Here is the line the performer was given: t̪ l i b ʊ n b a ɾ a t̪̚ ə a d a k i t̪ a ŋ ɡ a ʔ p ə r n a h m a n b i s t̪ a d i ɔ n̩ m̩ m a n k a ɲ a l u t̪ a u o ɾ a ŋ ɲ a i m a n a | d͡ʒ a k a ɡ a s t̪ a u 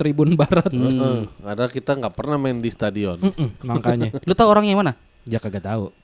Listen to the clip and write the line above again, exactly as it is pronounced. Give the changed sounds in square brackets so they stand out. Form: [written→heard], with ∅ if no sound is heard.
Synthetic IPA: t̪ [l→ɾ] i b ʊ n b a ɾ a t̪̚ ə a d a k i t̪ a ŋ ɡ a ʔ p ə r n a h m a n [b→d] i s t̪ a d i ɔ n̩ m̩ m a [n→ŋ] k a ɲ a l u t̪ a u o ɾ a ŋ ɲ a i m a n a | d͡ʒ a k a ɡ a [s→∅] t̪ a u